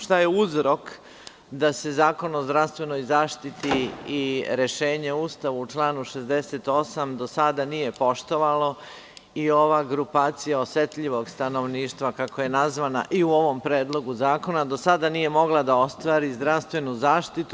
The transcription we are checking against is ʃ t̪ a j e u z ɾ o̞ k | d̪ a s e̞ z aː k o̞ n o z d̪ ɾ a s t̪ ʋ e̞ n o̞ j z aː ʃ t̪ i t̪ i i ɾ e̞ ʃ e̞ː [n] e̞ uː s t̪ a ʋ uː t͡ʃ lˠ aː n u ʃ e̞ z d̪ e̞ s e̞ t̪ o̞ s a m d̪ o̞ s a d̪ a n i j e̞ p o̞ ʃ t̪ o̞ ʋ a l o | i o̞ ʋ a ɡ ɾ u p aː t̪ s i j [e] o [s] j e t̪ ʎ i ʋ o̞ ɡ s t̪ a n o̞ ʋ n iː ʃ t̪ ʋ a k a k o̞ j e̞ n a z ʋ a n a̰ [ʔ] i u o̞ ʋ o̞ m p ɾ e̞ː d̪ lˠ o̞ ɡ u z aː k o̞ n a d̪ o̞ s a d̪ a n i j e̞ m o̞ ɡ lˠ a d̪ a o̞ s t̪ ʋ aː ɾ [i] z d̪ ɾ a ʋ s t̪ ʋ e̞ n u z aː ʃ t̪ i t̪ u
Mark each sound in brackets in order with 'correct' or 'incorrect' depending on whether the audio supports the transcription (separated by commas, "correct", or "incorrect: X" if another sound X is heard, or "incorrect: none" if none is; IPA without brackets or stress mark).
incorrect: ɲ, incorrect: a, correct, correct, correct